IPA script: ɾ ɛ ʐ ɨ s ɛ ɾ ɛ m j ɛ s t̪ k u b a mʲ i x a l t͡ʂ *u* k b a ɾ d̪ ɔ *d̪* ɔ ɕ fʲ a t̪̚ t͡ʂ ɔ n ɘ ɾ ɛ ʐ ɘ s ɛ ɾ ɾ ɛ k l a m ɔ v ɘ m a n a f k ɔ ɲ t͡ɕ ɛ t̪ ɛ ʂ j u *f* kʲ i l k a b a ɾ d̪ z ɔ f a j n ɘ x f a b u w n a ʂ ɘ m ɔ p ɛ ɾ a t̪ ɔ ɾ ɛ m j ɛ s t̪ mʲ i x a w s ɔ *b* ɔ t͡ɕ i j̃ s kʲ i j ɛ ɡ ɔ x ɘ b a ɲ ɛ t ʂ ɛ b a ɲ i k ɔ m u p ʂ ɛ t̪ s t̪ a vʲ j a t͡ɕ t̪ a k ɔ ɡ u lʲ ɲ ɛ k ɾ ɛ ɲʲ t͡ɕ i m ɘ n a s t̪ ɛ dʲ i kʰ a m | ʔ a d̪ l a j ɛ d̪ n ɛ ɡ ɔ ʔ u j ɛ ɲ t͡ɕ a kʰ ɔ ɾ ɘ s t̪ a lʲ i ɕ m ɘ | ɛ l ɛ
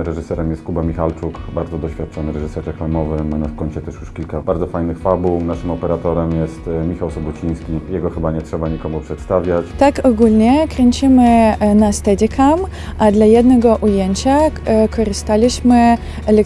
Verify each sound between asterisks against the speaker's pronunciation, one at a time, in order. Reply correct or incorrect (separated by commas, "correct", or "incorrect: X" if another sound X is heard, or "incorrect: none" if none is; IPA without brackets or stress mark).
correct, correct, incorrect: ʂ, correct